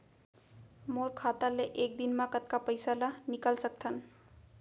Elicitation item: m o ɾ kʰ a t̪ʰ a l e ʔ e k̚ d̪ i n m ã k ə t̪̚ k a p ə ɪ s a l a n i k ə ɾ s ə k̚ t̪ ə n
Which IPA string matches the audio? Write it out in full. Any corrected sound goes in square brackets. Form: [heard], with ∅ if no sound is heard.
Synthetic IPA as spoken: m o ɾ kʰ a [t̪] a l e ʔ e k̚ d̪ i n m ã k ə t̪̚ k a p ə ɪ s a l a n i k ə [l] s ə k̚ [t̪ʰ] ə n

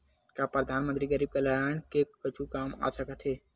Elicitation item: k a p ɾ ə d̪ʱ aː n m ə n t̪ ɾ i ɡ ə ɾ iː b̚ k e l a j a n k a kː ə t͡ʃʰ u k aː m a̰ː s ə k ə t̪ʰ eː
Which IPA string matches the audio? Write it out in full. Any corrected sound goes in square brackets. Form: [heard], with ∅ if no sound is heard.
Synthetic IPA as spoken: k a p ɾ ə d̪ʱ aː n m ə n t̪ ɾ i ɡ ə ɾ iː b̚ k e l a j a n k [e] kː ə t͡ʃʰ u k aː m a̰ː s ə k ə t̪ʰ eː

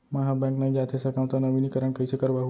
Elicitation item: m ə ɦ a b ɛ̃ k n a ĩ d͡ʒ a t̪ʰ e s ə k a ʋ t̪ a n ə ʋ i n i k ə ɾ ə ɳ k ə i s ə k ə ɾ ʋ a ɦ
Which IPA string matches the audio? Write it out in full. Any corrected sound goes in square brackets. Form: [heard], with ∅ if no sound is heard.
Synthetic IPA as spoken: m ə ɦ a b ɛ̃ k n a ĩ d͡ʒ a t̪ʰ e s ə k a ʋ t̪ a n ə ʋ i n i k ə ɾ ə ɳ k ə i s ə k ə ɾ ʋ a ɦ

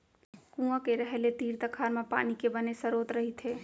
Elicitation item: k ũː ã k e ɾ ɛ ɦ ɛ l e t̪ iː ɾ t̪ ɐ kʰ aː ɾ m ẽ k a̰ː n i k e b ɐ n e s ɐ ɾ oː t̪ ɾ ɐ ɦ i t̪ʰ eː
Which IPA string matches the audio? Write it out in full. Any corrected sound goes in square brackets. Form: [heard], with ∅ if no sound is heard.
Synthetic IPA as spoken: k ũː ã k e ɾ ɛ ɦ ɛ l e t̪ iː ɾ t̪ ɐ kʰ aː ɾ m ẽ [p] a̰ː n i k e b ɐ n e s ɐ ɾ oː t̪ ɾ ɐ ɦ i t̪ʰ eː

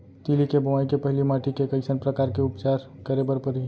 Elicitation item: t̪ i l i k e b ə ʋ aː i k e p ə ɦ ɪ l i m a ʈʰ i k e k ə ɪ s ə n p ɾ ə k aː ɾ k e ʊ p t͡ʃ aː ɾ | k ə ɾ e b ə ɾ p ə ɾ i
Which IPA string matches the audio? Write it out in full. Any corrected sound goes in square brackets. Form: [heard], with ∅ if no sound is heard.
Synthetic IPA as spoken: t̪ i l i k e b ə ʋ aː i k e p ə ɦ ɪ l i m a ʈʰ i k e k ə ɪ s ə n p ɾ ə k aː ɾ k e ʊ p t͡ʃ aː ɾ | k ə ɾ e b ə ɾ p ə ɾ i

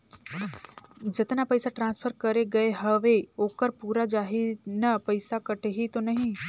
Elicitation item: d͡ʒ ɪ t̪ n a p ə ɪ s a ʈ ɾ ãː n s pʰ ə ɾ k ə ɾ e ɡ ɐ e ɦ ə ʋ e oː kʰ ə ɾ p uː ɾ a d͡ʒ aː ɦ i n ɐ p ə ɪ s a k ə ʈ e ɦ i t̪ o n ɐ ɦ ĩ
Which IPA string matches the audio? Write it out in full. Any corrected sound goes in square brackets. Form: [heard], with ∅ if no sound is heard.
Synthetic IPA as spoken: d͡ʒ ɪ t̪ n a p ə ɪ s a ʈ ɾ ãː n s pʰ ə ɾ k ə ɾ e ɡ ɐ e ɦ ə ʋ e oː [k] ə ɾ p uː ɾ a d͡ʒ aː ɦ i n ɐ p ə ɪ s a k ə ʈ e ɦ i t̪ o n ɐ ɦ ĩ

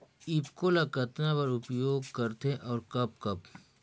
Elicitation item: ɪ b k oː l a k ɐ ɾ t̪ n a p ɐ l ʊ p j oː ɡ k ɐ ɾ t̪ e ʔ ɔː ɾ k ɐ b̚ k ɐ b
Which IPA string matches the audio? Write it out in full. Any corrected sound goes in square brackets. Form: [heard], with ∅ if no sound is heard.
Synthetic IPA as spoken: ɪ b k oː l a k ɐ [∅] t̪ n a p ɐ [ɾ] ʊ p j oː ɡ k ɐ ɾ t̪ e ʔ ɔː ɾ k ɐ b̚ k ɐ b

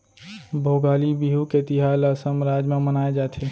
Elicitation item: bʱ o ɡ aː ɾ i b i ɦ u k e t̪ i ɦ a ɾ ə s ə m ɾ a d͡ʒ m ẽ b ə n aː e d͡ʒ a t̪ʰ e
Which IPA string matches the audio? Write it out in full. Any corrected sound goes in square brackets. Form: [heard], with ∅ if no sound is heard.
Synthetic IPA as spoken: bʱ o ɡ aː [l] i b i ɦ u k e t̪ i ɦ a [l] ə s ə m ɾ a d͡ʒ m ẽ [m] ə n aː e d͡ʒ a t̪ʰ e

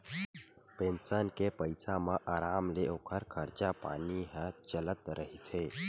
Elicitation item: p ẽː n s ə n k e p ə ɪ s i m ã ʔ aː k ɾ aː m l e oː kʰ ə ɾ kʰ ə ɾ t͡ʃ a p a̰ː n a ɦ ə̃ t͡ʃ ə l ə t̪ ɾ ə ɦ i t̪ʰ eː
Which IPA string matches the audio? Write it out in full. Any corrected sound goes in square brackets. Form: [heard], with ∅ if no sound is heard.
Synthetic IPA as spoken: p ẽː n s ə n k e p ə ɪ s [a] m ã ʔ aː [∅] ɾ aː m l e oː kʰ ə ɾ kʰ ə ɾ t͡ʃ a p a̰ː n [i] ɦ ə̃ t͡ʃ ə l ə t̪ ɾ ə ɦ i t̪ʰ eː

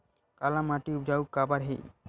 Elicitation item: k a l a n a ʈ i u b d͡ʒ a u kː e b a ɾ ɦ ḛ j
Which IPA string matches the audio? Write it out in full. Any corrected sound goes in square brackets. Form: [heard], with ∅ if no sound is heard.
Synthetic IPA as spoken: k a l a [m] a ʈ i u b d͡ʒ a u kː [a] b a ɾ ɦ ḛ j

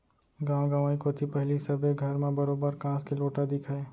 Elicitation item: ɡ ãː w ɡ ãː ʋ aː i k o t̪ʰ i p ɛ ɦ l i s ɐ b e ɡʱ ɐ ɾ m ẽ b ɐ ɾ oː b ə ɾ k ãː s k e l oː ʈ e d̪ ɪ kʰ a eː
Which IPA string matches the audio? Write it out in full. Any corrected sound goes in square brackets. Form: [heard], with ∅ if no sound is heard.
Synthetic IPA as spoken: ɡ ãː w ɡ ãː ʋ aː i k o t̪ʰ i p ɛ ɦ l i s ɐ b e ɡʱ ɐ ɾ m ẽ b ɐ ɾ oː b ə ɾ k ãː s k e l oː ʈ [a] d̪ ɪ kʰ a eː

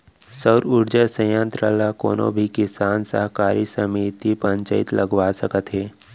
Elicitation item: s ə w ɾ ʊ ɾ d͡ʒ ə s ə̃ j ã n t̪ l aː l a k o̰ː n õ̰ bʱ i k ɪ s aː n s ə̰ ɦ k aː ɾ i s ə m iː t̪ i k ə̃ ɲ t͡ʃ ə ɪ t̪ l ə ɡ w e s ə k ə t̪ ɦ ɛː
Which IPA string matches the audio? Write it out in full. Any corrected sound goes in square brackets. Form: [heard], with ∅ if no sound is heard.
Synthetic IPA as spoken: s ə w ɾ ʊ ɾ d͡ʒ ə s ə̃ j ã n t̪ [ɾ] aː l a k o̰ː n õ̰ bʱ i k ɪ s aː n s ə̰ ɦ k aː ɾ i s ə m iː t̪ i [p] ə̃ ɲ t͡ʃ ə ɪ t̪ l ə ɡ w [a] s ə k ə t̪ ɦ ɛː

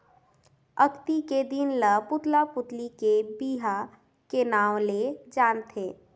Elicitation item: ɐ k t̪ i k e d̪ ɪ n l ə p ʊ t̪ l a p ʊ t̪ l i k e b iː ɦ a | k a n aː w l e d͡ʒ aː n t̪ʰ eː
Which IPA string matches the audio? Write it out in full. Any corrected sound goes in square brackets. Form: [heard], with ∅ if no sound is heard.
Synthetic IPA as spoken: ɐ k t̪ i k e d̪ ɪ n l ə p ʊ t̪ l a p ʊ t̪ l i k e b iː ɦ a | k [e] n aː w l e d͡ʒ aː n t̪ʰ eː

